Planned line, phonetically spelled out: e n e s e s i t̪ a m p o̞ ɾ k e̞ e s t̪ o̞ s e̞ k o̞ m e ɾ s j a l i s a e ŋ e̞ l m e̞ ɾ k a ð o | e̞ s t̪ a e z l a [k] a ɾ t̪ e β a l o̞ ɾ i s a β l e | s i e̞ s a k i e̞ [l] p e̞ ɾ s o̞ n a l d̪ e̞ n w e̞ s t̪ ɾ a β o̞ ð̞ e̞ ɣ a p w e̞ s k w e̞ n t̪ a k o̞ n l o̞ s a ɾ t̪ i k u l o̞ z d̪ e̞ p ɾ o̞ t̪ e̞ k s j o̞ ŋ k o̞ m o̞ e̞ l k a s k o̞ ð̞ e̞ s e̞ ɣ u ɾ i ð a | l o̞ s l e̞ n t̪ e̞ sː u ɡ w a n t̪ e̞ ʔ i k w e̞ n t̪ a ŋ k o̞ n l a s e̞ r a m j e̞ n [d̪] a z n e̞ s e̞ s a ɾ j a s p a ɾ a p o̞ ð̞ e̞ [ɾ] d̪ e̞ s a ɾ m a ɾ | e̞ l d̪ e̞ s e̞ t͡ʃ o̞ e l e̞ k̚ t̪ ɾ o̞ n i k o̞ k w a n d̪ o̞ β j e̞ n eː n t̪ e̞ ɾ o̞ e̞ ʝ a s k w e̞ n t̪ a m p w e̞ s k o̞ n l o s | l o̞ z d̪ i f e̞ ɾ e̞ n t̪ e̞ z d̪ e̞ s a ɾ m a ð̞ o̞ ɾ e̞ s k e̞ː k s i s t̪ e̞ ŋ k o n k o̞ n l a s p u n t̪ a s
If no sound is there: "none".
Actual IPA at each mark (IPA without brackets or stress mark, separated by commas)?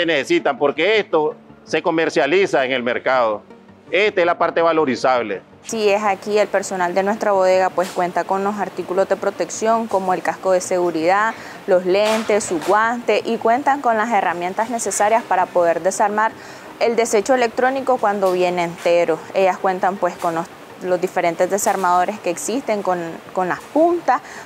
p, l, t̪, ɾ